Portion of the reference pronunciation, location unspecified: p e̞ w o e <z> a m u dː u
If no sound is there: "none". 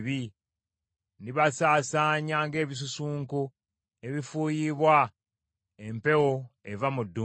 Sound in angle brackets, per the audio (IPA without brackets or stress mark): v